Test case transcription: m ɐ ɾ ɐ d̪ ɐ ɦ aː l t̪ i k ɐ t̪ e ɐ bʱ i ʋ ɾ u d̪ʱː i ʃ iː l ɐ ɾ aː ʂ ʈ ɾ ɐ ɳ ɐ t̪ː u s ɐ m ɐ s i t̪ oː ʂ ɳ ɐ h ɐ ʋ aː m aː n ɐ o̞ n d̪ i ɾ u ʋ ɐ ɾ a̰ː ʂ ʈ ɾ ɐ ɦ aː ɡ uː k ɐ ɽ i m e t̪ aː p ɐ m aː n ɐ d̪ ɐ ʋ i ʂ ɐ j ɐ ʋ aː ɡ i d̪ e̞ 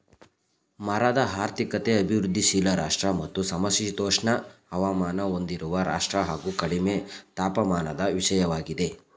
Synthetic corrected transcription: m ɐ ɾ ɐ d̪ ɐ ɦ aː ɾ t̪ i k ɐ t̪ e ɐ bʱ i ʋ ɾ u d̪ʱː i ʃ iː l ɐ ɾ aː ʂ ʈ ɾ ɐ m ɐ t̪ː u s ɐ m ɐ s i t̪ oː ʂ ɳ ɐ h ɐ ʋ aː m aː n ɐ o̞ n d̪ i ɾ u ʋ ɐ ɾ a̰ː ʂ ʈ ɾ ɐ ɦ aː ɡ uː k ɐ ɽ i m e t̪ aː p ɐ m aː n ɐ d̪ ɐ ʋ i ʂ ɐ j ɐ ʋ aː ɡ i d̪ e̞